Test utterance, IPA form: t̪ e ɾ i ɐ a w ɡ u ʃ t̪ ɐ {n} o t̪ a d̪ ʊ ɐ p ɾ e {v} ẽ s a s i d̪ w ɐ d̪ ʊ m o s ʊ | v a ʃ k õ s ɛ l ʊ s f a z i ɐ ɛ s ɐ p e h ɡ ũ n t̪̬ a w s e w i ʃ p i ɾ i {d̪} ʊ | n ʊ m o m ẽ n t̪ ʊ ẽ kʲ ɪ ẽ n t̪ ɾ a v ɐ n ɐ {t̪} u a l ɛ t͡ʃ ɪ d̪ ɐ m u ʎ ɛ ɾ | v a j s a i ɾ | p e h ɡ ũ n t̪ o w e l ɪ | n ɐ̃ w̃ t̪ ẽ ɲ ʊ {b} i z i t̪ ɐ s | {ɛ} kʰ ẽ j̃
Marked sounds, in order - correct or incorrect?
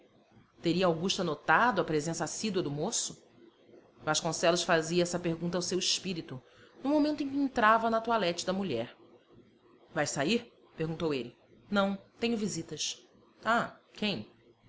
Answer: correct, incorrect: z, incorrect: t̪, correct, incorrect: v, incorrect: a

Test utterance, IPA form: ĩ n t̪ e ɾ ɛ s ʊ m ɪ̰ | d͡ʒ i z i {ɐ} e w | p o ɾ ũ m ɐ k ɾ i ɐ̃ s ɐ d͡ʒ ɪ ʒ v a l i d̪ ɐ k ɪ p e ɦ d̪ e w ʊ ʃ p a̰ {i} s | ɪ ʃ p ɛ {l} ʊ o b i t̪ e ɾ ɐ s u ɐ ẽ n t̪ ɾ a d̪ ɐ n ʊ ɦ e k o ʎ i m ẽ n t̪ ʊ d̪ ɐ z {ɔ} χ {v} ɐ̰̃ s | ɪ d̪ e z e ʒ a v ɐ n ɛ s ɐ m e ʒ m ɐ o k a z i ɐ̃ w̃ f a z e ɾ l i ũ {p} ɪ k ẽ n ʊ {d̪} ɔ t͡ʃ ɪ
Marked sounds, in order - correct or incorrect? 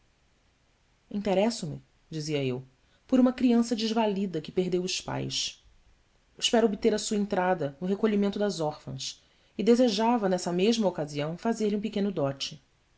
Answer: correct, incorrect: j, incorrect: ɾ, correct, incorrect: f, correct, correct

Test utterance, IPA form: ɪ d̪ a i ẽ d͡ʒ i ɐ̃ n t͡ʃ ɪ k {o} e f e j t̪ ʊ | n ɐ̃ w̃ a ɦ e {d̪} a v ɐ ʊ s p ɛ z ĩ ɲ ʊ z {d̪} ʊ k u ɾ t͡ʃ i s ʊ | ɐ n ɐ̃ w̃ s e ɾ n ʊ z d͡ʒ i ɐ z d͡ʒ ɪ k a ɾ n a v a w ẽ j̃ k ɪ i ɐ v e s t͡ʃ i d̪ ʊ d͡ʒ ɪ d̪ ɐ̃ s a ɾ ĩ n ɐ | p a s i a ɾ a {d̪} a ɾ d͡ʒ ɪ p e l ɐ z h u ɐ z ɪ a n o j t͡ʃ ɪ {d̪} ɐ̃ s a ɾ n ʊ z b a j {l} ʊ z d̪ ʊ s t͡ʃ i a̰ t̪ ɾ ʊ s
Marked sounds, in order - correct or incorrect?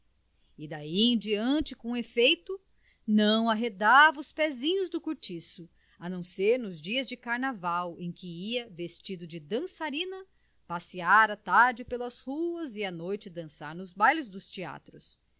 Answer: incorrect: õ, correct, correct, incorrect: t̪, correct, correct

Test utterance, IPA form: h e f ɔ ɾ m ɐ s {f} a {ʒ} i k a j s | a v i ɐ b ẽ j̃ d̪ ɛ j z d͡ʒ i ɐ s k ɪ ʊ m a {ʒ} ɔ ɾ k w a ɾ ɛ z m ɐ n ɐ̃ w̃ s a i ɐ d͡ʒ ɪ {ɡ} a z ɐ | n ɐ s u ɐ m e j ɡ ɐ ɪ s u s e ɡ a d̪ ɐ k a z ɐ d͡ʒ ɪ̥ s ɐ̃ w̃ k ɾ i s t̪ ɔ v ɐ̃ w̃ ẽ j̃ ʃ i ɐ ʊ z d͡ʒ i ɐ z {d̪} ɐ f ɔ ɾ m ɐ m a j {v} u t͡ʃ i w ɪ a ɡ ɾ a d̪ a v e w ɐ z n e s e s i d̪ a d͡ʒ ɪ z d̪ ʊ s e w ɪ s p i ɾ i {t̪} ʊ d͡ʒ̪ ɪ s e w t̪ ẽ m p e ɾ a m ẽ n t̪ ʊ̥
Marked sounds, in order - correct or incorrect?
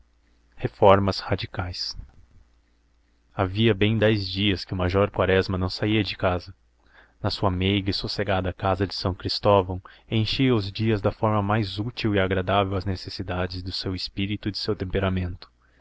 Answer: incorrect: h, incorrect: d͡ʒ, correct, incorrect: k, correct, incorrect: z, correct

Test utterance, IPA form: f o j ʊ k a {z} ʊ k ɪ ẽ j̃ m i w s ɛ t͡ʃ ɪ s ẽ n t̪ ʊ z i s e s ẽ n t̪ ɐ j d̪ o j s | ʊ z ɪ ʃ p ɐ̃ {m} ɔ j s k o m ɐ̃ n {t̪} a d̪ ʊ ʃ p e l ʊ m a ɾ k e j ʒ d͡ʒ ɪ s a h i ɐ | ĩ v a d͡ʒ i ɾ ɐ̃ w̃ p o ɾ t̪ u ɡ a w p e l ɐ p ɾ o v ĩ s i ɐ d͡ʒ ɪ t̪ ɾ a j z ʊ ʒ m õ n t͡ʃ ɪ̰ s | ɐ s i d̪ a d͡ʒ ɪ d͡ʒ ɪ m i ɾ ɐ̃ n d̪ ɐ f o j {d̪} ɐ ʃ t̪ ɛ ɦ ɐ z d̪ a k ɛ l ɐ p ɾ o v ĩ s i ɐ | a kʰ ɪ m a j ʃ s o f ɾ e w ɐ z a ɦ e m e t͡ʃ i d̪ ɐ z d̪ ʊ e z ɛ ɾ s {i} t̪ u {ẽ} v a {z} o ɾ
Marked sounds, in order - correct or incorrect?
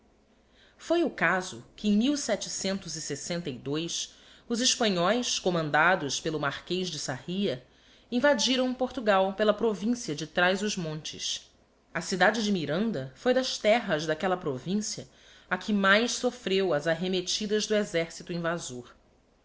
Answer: correct, incorrect: ɲ, incorrect: d̪, correct, correct, incorrect: ĩ, correct

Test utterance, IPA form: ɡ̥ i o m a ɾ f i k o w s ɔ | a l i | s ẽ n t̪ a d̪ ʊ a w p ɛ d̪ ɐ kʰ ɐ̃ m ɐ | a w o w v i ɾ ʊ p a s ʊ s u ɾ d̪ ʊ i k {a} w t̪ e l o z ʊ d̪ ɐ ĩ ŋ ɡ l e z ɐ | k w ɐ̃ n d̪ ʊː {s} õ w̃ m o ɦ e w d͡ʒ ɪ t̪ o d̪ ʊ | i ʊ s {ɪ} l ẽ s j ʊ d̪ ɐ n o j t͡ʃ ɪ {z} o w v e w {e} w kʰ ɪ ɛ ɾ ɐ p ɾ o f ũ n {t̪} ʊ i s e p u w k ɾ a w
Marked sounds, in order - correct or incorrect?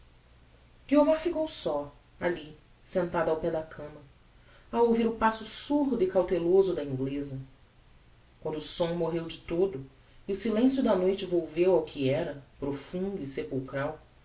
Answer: correct, correct, incorrect: i, incorrect: v, incorrect: a, incorrect: d̪

